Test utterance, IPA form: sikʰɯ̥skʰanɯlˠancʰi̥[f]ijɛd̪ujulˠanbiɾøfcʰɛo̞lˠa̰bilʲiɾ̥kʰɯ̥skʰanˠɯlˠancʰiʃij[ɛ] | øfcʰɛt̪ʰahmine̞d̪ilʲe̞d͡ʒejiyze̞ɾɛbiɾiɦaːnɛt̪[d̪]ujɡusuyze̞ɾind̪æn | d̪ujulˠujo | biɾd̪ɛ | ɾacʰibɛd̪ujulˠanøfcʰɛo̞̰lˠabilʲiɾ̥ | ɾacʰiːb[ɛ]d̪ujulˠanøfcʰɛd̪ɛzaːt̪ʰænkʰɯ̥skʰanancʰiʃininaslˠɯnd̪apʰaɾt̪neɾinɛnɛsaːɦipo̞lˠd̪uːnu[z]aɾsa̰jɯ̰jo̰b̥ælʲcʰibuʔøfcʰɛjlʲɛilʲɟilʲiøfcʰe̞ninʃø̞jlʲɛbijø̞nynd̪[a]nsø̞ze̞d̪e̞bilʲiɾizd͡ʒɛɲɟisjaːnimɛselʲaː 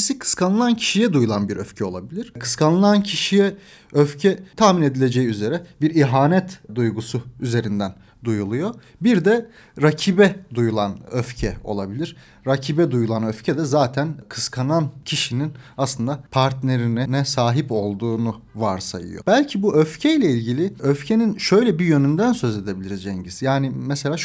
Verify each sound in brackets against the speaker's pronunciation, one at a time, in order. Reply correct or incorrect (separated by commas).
incorrect, correct, correct, correct, incorrect, incorrect